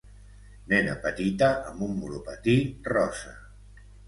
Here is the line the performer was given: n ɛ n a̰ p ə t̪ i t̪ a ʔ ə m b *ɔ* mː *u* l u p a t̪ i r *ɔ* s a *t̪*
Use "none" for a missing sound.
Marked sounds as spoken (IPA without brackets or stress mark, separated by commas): u, u, ɔ, none